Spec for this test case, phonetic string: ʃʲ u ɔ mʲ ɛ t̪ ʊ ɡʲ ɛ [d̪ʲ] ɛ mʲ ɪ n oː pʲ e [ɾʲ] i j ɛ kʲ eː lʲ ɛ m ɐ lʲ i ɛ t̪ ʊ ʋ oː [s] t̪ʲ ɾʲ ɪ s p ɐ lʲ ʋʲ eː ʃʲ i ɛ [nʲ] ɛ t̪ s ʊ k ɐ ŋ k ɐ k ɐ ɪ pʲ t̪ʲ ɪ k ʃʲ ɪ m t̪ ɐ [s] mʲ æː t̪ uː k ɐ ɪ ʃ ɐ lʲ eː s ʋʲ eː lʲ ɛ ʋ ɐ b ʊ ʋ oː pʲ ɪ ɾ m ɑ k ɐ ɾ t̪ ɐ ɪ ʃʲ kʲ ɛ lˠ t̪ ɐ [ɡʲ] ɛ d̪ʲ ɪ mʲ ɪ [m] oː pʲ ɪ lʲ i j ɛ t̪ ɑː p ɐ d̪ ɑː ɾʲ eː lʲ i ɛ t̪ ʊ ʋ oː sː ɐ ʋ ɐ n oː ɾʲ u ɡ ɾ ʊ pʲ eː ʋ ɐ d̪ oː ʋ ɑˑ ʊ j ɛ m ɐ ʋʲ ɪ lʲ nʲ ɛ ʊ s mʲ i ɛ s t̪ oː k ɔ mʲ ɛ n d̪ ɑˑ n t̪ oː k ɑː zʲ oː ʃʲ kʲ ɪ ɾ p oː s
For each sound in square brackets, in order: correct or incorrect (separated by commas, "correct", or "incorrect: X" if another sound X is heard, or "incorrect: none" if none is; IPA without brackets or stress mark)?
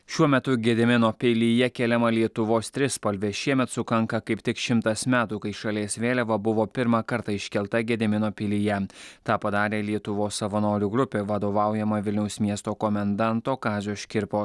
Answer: correct, incorrect: lʲ, correct, incorrect: mʲ, correct, correct, incorrect: n